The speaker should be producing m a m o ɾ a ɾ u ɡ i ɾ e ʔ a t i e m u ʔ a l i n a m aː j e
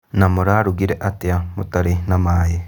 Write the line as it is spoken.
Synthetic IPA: n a m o ɾ a ɾ u ɡ i ɾ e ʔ a t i a m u t a ɾ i n a m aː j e